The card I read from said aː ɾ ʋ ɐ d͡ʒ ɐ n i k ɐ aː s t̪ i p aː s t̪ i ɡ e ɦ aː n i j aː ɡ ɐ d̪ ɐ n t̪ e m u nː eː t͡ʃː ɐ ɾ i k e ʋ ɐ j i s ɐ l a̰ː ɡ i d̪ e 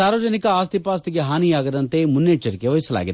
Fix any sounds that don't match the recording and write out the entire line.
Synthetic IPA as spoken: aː ɾ ʋ ɐ d͡ʒ ɐ n i k ɐ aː s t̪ i p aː s t̪ i ɡ e ɦ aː n i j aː ɡ ɐ d̪ ɐ n t̪ e m u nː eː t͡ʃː ɐ ɾ i k e ʋ ɐ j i s ɐ l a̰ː ɡ i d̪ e